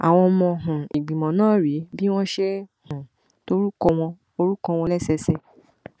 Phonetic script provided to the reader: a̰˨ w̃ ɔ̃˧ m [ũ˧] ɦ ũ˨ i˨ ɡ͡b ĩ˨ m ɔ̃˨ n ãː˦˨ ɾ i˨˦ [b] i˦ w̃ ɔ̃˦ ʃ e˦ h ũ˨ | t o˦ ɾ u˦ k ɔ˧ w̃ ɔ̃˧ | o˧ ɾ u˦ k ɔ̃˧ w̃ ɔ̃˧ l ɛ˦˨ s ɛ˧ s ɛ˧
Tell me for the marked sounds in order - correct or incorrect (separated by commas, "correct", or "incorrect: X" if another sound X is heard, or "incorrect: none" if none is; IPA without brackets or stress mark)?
incorrect: ɔ̃˧, correct